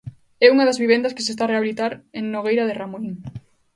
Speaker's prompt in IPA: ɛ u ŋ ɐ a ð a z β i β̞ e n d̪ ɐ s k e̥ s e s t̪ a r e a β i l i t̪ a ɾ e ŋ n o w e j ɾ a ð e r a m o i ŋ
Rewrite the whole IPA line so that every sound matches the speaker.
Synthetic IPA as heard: ɛ u ŋ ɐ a ð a z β i β̞ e n d̪ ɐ s k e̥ s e s t̪ a r e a β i l i t̪ a ɾ e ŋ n o ɣ e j ɾ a ð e r a m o i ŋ